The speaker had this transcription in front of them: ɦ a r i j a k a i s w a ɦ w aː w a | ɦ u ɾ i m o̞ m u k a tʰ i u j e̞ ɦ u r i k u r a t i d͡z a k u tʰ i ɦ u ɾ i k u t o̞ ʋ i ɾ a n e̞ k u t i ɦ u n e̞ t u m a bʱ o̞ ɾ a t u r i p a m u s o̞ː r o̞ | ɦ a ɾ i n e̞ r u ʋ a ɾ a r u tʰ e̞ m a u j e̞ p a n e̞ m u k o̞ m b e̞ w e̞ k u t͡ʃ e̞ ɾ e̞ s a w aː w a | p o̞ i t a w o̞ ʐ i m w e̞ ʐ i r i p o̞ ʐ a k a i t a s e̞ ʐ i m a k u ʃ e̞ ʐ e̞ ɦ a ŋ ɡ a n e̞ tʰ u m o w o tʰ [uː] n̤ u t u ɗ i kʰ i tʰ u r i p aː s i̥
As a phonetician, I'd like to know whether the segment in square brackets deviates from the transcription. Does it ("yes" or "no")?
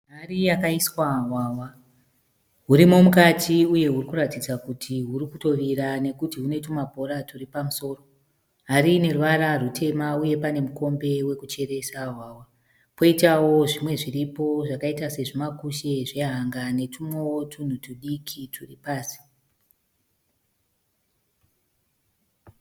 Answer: yes